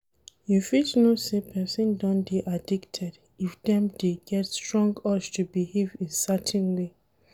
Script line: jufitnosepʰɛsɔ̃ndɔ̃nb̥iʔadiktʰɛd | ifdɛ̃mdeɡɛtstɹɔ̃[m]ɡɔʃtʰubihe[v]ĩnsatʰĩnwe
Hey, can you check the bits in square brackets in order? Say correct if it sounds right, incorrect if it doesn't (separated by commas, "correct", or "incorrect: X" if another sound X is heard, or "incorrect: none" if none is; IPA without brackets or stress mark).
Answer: incorrect: ŋ, correct